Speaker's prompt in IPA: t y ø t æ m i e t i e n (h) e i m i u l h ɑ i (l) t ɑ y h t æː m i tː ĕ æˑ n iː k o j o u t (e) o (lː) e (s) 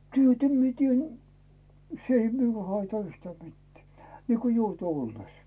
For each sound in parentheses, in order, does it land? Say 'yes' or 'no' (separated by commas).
no, no, yes, yes, yes